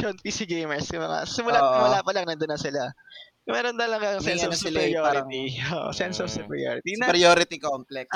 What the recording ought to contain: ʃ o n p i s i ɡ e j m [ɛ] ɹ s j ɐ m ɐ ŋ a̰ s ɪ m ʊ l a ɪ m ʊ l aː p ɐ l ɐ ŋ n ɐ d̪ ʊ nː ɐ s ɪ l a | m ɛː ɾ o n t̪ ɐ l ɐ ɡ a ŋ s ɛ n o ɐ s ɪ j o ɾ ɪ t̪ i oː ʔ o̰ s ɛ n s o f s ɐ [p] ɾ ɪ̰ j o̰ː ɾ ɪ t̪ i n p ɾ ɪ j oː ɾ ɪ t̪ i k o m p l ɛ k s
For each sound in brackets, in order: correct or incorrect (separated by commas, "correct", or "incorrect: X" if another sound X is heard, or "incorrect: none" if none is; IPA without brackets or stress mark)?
correct, correct